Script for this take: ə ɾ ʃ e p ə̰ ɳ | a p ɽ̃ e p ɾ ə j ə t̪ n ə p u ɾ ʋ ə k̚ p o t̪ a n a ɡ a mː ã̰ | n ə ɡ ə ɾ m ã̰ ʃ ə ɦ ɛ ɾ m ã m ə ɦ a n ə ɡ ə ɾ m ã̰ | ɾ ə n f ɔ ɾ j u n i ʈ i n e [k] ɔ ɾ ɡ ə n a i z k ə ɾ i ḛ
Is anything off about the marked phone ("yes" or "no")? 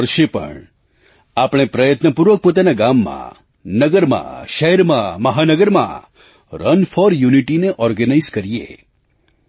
yes